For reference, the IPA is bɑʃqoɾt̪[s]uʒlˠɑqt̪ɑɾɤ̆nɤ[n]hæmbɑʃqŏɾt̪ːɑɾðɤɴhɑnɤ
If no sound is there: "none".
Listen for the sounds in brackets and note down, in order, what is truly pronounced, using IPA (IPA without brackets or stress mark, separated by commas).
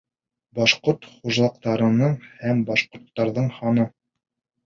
χ, ɴ